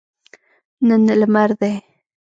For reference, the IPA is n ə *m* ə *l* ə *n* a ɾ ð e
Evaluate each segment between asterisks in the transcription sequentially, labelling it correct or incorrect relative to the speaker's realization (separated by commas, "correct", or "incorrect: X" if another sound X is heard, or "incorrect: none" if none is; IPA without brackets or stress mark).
incorrect: n, correct, incorrect: m